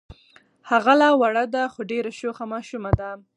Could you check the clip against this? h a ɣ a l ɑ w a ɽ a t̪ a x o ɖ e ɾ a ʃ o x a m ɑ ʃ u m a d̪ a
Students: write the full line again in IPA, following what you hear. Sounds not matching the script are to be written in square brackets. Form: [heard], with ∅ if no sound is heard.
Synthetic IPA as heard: h a ɣ a l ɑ w a ɽ a [d̪] a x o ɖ e ɾ a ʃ o x a m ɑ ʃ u m a d̪ a

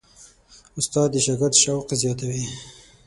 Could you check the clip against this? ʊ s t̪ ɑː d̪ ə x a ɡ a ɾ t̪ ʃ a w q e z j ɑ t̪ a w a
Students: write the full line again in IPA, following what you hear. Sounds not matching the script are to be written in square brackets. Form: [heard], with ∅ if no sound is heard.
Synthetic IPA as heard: ʊ s t̪ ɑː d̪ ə [ʃ] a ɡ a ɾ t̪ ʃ a w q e z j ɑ t̪ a w [i]

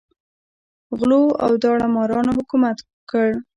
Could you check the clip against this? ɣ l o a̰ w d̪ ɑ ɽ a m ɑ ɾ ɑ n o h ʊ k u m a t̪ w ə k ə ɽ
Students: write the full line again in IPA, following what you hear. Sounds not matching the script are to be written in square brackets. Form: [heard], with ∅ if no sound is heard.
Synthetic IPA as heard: ɣ l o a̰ w d̪ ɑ ɽ a m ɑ ɾ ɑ n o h ʊ k u m a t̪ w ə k ə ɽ

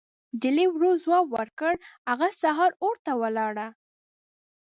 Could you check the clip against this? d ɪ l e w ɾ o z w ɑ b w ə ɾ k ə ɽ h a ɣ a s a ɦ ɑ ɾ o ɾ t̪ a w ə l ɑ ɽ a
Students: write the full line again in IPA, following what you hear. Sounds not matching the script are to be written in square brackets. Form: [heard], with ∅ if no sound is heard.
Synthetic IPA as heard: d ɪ l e w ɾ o z w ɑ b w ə ɾ k ə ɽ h a ɣ a s a ɦ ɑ ɾ o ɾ t̪ a w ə l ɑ ɽ a

